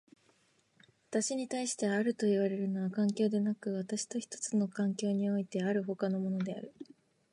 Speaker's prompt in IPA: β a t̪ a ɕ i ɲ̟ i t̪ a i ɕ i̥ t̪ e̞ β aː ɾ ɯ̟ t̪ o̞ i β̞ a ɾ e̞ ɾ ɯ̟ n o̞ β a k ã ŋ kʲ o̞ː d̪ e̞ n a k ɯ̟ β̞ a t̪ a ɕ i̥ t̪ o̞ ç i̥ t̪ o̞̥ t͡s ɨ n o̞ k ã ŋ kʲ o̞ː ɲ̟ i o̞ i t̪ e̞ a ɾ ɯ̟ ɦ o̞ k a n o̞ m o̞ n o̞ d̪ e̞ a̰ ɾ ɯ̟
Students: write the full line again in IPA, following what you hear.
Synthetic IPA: β a t̪ a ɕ i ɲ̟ i t̪ a i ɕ i̥ t̪ e̞ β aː ɾ ɯ̟ t̪ o̞ i β̞ a ɾ e̞ ɾ ɯ̟ n o̞ β a k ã ŋ kʲ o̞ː d̪ e̞ n a k ɯ̟ β̞ a t̪ a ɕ i̥ t̪ o̞ ç i̥ t̪ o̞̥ t͡s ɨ n o̞ k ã ŋ kʲ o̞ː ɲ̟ i o̞ i t̪ e̞ a ɾ ɯ̟ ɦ o̞ k a n o̞ m o̞ n o̞ d̪ e̞ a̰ ɾ ɯ̟